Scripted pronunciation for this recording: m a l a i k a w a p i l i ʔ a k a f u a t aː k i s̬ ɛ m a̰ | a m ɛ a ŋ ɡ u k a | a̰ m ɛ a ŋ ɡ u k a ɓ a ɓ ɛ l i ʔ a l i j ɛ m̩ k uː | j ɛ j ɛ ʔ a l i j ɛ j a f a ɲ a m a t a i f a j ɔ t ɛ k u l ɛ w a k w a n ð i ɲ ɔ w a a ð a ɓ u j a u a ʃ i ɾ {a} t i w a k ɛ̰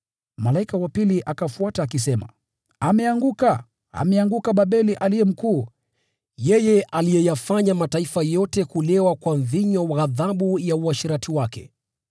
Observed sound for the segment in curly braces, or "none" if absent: a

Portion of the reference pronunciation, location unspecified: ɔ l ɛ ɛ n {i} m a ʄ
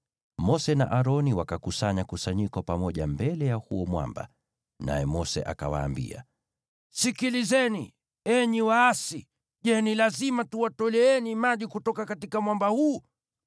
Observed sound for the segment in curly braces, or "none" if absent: i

